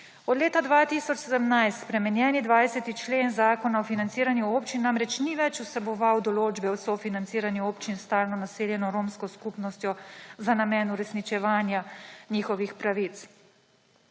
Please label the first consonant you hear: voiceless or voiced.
voiced